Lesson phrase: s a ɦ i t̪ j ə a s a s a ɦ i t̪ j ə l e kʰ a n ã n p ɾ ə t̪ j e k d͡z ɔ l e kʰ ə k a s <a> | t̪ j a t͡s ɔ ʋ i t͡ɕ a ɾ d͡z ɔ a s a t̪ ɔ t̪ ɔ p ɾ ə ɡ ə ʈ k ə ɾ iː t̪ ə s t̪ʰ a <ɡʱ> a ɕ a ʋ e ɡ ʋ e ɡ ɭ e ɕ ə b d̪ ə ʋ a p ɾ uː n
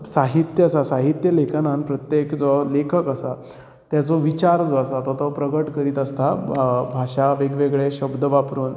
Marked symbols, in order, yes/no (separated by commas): yes, no